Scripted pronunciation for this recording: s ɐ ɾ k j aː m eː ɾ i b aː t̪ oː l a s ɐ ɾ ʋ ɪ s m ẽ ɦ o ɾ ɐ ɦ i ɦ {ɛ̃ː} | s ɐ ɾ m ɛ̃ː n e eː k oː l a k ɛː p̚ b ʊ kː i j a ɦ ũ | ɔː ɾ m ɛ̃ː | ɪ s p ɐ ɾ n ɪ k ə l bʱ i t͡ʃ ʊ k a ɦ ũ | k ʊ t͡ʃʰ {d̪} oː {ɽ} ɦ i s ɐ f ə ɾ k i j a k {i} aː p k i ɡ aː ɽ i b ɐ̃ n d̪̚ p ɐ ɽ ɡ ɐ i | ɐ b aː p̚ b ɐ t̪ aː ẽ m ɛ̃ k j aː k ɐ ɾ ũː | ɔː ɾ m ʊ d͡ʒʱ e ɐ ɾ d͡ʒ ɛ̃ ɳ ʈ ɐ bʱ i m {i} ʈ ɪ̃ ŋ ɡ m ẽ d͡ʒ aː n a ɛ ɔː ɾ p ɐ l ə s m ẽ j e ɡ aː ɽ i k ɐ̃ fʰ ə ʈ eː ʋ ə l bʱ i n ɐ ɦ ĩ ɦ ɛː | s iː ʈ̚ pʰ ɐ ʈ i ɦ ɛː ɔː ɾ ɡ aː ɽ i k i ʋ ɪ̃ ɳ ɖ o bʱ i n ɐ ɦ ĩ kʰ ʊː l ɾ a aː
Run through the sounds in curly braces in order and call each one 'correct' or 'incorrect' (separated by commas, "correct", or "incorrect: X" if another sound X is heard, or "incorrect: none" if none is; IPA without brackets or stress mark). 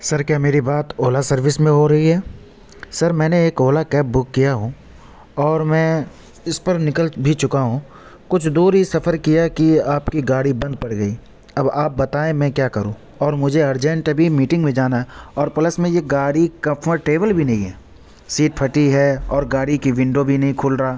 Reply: incorrect: ɛː, correct, incorrect: ɾ, correct, incorrect: iː